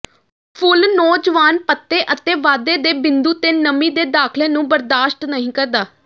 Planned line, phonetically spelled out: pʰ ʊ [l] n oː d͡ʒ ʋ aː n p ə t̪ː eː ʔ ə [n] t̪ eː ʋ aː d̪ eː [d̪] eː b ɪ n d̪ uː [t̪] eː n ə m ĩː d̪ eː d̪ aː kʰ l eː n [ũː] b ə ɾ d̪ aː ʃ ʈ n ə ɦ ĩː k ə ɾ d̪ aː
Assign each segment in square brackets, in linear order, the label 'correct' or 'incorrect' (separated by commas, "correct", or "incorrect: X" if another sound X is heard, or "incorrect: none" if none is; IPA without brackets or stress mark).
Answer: correct, incorrect: none, correct, correct, correct